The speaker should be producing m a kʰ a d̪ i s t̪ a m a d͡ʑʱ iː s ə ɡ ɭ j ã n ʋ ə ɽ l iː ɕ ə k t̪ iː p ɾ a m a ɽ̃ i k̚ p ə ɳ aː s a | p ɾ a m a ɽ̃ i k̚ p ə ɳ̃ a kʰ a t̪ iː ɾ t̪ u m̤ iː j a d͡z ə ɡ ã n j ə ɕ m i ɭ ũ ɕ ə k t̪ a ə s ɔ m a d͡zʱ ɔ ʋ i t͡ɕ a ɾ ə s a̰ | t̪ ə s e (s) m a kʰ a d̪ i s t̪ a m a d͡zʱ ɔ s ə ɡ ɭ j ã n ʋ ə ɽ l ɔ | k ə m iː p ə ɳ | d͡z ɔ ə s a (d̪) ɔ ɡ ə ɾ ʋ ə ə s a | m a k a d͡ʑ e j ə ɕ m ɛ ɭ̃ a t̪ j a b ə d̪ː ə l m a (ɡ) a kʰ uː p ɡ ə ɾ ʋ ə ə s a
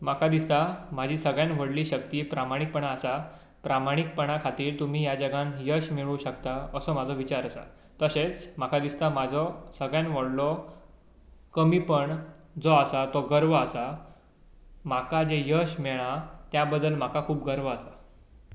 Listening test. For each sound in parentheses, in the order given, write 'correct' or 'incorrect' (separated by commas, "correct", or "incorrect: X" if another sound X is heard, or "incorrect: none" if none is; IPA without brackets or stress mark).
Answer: incorrect: t͡s, incorrect: t̪, incorrect: k